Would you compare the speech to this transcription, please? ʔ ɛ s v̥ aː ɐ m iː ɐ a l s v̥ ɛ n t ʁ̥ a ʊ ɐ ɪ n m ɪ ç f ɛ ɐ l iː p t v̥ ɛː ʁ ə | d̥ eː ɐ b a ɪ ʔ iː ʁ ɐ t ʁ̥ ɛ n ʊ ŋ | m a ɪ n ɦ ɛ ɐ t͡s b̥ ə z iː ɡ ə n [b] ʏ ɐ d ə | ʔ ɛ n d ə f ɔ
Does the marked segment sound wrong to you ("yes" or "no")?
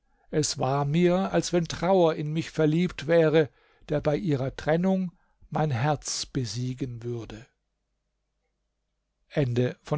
yes